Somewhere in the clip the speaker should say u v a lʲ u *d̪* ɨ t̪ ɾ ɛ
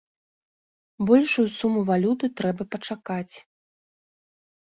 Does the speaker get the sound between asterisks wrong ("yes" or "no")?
yes